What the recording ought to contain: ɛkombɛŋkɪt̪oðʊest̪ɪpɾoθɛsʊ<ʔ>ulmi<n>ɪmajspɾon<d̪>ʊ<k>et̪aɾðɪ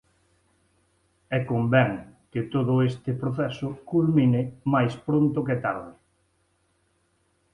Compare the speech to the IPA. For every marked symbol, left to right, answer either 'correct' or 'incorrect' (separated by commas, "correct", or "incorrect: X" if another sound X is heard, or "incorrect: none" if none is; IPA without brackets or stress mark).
incorrect: k, correct, incorrect: t̪, correct